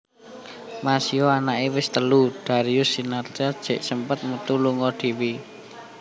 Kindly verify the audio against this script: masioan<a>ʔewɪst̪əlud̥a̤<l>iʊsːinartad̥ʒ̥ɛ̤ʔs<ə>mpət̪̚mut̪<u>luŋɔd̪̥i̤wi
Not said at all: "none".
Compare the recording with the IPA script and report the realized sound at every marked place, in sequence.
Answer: a, ɾ, ə, u

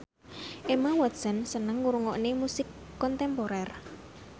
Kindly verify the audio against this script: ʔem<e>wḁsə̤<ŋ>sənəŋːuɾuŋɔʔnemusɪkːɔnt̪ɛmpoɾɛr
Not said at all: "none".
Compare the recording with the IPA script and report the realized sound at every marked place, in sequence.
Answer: a, n

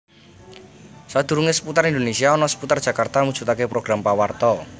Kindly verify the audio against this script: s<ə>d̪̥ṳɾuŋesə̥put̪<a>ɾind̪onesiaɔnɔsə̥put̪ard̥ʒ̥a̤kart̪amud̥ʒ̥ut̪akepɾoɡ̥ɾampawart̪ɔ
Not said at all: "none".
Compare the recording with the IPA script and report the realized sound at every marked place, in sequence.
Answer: a, a

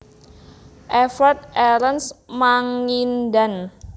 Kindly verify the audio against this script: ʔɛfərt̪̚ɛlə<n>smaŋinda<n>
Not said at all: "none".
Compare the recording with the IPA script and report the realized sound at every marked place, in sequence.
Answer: n, n

